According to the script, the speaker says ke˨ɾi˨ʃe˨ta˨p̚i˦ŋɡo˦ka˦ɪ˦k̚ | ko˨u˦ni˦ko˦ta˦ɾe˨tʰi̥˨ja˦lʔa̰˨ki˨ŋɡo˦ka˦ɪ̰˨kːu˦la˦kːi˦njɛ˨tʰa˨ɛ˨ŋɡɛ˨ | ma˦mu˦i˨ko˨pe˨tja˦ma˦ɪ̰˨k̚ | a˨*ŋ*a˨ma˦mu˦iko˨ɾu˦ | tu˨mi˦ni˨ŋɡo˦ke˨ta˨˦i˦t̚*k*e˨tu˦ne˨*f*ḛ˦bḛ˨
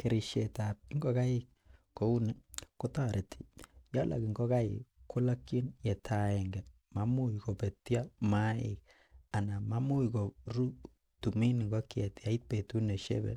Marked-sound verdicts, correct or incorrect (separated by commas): incorrect, incorrect, incorrect